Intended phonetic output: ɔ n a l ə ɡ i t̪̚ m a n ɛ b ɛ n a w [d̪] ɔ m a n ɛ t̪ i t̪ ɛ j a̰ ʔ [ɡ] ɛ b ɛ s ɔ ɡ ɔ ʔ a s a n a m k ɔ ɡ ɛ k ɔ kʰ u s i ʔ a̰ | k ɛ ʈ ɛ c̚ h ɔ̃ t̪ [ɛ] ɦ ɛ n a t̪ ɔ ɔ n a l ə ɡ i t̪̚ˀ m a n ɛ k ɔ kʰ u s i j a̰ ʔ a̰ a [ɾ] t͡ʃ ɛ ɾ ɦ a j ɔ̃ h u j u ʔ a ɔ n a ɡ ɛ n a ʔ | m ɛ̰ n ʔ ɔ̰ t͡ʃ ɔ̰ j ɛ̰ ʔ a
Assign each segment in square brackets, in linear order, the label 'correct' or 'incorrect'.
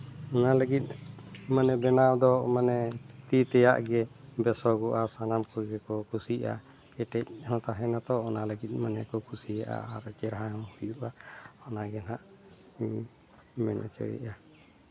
correct, correct, incorrect: a, correct

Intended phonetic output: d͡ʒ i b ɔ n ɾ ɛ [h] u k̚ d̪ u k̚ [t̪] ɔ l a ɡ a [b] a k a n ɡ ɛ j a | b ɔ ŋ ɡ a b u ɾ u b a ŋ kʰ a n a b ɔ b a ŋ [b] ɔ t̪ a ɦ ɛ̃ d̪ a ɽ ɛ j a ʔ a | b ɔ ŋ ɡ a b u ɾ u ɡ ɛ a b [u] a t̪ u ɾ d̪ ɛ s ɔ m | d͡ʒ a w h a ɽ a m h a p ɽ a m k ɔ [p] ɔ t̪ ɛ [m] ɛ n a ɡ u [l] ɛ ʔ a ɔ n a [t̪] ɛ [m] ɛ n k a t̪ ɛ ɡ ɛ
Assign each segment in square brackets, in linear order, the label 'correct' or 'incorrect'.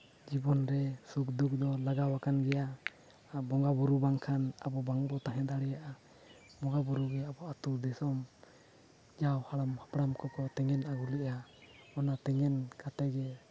incorrect: s, incorrect: d̪, incorrect: w, correct, incorrect: ɔ, incorrect: k, incorrect: ŋ, correct, correct, incorrect: ŋ

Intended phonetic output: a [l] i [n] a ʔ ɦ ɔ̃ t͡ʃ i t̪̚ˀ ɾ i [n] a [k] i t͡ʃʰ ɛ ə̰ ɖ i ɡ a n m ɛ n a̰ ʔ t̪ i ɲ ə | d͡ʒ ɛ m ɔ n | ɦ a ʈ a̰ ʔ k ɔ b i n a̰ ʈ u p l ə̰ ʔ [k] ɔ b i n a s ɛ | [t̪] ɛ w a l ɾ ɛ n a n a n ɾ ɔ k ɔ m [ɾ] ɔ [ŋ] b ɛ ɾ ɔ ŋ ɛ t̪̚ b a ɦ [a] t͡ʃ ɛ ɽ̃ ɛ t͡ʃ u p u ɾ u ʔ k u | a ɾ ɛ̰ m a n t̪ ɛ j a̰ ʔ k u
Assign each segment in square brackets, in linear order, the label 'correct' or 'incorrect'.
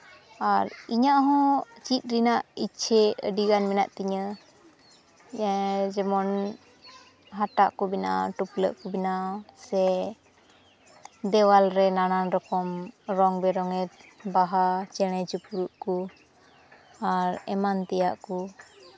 incorrect: ɾ, incorrect: ɲ, correct, incorrect: ʔ, correct, incorrect: d̪, correct, correct, correct

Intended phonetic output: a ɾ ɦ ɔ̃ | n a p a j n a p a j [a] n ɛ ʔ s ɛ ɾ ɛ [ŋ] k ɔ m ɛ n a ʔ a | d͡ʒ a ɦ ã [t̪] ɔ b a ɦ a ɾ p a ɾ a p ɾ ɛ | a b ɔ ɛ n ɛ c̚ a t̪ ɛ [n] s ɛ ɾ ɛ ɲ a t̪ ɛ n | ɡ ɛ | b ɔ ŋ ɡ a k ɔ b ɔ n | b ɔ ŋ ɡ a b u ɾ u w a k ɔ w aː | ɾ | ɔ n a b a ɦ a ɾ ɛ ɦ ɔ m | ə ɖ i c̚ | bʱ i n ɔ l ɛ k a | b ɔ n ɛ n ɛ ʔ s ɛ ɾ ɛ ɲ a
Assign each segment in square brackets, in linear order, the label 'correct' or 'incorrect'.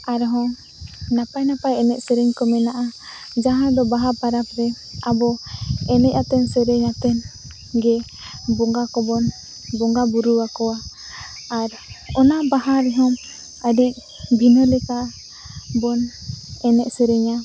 incorrect: ɛ, incorrect: ɲ, incorrect: d̪, correct

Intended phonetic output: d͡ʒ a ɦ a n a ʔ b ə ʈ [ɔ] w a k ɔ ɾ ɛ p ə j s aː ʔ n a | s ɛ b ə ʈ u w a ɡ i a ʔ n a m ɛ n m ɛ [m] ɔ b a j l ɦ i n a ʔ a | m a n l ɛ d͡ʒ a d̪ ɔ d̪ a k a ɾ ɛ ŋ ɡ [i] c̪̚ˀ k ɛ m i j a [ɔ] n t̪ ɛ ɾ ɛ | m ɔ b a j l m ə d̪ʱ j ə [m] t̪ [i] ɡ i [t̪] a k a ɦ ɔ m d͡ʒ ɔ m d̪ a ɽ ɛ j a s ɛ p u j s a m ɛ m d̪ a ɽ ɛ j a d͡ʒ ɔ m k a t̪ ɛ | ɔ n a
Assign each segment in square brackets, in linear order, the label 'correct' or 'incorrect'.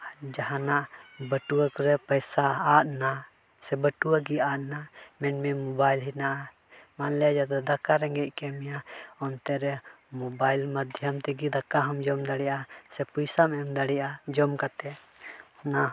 incorrect: u, correct, incorrect: ɛ, correct, correct, incorrect: ɛ, incorrect: d̪

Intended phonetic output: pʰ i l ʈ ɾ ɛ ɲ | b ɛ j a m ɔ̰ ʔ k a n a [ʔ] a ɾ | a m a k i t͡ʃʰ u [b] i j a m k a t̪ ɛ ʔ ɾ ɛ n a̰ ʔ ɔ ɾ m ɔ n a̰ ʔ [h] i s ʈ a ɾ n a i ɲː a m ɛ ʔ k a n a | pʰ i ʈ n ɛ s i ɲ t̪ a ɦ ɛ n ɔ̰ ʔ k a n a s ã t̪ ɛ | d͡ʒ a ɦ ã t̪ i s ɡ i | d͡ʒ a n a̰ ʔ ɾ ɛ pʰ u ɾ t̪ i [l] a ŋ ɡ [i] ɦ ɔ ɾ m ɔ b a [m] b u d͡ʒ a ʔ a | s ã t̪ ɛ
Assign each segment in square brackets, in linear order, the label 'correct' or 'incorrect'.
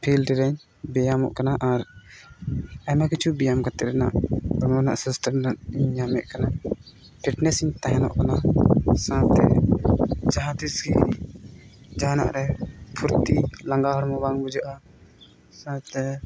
correct, correct, incorrect: s, correct, incorrect: a, incorrect: ŋ

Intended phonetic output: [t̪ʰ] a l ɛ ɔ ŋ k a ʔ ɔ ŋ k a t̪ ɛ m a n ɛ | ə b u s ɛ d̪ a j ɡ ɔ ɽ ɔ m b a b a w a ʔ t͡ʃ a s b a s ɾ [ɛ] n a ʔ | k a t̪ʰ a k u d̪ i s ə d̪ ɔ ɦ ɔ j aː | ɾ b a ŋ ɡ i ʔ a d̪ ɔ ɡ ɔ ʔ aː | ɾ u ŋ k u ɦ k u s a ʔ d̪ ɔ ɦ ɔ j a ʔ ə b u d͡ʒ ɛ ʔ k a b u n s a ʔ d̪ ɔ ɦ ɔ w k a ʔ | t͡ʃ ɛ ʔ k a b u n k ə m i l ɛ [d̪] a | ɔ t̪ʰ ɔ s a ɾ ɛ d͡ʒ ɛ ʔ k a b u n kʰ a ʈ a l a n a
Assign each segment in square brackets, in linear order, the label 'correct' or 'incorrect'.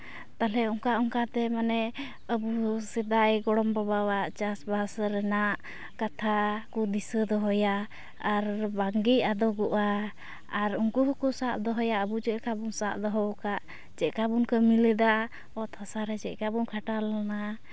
incorrect: t̪, correct, correct

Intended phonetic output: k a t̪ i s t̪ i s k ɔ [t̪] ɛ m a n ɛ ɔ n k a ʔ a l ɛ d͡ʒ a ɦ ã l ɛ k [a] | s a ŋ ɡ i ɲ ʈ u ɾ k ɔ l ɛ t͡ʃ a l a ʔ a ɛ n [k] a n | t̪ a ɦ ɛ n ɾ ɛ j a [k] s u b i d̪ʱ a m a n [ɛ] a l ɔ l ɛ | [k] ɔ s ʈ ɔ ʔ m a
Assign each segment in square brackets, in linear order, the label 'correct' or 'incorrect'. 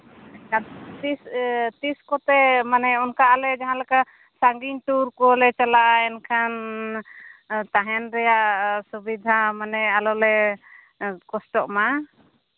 correct, correct, incorrect: kʰ, incorrect: ʔ, correct, correct

